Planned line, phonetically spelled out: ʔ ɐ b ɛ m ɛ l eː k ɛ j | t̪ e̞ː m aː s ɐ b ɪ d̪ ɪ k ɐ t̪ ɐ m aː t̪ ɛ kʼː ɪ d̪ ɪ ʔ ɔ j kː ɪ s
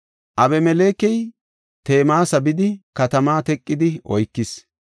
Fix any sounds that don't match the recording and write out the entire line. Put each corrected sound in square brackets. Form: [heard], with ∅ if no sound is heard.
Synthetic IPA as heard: ʔ ɐ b ɛ m ɛ l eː k ɛ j | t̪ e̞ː m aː s ɐ b ɪ d̪ ɪ k ɐ t̪ ɐ m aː t̪ ɛ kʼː ɪ d̪ ɪ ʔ ɔ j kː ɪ s